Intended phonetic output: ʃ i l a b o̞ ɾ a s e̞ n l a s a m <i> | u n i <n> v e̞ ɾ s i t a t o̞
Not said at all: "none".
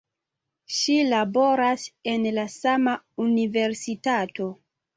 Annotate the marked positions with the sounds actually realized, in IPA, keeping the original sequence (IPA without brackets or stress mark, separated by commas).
a, none